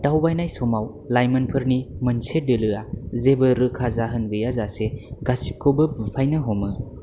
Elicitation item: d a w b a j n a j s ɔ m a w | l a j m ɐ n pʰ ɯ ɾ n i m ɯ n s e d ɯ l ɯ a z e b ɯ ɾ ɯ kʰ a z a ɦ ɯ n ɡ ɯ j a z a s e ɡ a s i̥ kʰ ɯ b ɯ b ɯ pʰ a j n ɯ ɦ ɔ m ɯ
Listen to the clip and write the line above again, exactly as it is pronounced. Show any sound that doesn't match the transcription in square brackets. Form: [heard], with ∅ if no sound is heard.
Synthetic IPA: d a w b a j n a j s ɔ m a w | l a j m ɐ n pʰ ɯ ɾ n i m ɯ n s e d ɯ l ɯ a z e b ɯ ɾ ɯ kʰ a z a ɦ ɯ n ɡ ɯ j a z a s e ɡ a s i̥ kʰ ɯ b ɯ b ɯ pʰ a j n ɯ ɦ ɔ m ɯ